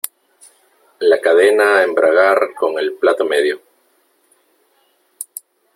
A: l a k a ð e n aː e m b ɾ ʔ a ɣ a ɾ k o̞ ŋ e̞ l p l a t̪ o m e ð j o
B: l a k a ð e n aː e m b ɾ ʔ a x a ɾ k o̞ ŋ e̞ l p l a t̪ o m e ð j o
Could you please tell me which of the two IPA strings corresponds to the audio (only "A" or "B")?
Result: A